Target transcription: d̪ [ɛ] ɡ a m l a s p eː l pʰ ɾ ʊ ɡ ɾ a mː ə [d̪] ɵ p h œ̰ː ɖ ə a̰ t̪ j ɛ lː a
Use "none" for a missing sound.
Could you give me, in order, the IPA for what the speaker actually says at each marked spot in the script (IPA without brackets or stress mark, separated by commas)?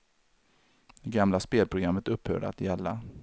ɛ, t̪